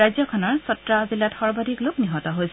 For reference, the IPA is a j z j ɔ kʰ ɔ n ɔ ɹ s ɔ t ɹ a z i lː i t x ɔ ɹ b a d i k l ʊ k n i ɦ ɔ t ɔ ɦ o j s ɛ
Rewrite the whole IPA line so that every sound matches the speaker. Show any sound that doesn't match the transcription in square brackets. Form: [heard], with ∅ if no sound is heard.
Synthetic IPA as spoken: a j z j ɔ kʰ ɔ n ɔ ɹ s ɔ t ɹ a z i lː [a] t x ɔ ɹ b a d i k l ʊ k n i ɦ ɔ t ɔ ɦ o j s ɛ